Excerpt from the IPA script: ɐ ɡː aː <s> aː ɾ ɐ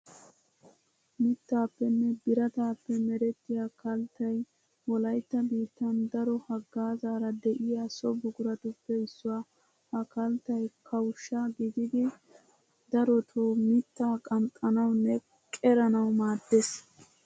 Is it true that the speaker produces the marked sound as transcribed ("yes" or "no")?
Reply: no